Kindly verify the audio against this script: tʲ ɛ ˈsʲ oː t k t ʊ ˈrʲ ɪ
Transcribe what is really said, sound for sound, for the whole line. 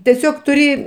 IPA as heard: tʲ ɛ ˈsʲ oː k t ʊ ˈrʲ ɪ